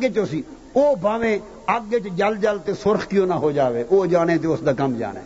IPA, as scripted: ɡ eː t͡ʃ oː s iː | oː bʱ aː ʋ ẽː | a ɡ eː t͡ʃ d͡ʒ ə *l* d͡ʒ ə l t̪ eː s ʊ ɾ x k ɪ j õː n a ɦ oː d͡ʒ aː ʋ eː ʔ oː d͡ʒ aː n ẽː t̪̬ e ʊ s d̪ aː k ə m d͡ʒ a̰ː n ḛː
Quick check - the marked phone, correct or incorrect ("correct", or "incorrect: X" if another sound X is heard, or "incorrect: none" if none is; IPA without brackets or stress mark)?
correct